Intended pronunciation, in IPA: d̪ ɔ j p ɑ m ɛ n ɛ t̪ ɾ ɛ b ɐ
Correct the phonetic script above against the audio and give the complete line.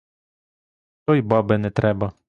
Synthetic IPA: t̪ ɔ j b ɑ b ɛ n ɛ t̪ ɾ ɛ b ɐ